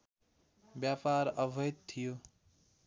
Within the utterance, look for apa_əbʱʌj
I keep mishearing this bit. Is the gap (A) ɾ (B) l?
A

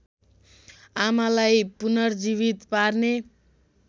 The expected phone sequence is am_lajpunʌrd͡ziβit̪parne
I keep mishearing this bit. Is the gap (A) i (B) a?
B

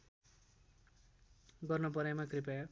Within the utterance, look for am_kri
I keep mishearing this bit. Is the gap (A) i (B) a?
B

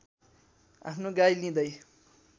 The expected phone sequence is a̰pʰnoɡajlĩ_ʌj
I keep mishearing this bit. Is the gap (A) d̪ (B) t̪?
A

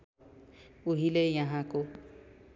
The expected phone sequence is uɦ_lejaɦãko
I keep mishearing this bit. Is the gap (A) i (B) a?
A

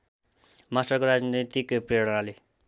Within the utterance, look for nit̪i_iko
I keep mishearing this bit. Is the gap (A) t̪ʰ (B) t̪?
B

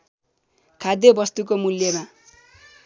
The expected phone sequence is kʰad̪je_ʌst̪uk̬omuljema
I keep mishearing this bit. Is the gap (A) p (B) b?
B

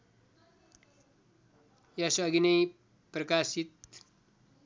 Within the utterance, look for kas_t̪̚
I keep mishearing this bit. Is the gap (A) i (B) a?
A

